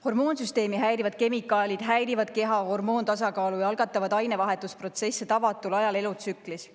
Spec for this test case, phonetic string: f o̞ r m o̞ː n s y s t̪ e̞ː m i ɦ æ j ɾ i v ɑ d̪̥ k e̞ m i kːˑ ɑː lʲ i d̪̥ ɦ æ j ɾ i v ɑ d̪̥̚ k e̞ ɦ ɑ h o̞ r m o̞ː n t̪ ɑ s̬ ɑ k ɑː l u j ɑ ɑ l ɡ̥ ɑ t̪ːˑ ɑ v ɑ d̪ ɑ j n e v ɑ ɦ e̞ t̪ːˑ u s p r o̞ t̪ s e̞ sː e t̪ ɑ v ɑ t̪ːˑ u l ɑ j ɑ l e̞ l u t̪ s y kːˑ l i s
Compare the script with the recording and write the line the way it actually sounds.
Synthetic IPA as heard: h o̞ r m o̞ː n s y s t̪ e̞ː m i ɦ æ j ɾ i v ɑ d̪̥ k e̞ m i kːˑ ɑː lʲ i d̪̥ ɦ æ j ɾ i v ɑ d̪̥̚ k e̞ ɦ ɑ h o̞ r m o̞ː n t̪ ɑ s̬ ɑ k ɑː l u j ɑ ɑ l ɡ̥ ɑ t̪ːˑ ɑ v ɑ d̪ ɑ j n e v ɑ ɦ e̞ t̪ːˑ u s p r o̞ t̪ s e̞ sː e t̪ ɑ v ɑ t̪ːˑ u l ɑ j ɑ l e̞ l u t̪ s y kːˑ l i s